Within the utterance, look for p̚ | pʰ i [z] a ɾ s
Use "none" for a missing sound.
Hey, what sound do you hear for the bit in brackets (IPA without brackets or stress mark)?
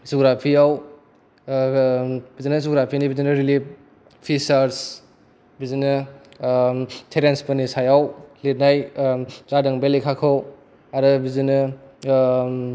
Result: s